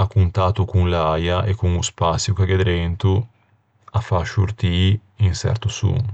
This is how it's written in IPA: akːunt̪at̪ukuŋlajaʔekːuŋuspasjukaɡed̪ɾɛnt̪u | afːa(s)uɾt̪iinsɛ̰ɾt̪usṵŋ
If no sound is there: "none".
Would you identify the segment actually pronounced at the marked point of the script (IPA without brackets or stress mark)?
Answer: ʃ